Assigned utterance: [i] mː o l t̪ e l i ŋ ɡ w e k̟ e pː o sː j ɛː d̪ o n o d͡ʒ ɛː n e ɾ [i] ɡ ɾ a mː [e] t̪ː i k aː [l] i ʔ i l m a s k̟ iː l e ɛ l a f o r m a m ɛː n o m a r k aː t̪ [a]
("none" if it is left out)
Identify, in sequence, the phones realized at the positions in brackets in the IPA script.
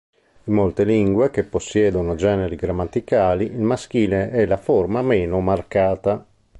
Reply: i, i, a, l, a

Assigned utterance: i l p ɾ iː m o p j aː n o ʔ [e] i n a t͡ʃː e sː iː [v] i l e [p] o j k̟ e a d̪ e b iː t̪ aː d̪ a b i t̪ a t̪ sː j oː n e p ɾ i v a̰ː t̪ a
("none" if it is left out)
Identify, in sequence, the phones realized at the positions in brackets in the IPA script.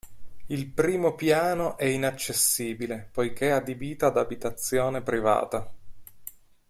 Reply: ɛ, b, p

